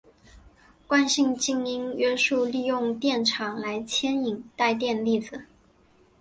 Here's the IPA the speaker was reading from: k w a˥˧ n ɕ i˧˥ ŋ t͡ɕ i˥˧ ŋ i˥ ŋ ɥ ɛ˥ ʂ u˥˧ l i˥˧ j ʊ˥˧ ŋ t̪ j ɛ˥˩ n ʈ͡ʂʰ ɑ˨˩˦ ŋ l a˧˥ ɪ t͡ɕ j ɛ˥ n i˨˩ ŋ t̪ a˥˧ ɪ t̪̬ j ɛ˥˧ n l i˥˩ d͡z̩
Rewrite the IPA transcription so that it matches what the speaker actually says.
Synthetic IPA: k w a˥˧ n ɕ i˥˧ ŋ t͡ɕ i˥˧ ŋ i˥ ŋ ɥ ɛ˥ ʂ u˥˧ l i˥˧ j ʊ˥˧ ŋ t̪ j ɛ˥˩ n ʈ͡ʂʰ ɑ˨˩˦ ŋ l a˧˥ ɪ t͡ɕʰ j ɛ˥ n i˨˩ ŋ t̪ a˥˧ ɪ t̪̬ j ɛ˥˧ n l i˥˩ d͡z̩